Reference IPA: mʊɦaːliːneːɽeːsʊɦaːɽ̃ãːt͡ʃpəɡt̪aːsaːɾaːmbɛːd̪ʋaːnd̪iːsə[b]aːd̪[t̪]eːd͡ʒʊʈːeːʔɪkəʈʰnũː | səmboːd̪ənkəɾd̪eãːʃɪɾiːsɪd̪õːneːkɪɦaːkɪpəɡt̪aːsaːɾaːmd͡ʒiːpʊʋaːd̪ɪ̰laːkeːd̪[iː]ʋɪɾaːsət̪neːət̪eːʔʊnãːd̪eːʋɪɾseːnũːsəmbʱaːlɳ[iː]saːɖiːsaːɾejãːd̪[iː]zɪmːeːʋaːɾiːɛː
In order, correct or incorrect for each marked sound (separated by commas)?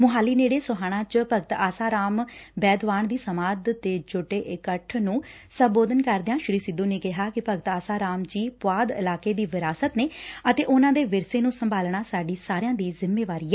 incorrect, correct, correct, incorrect, correct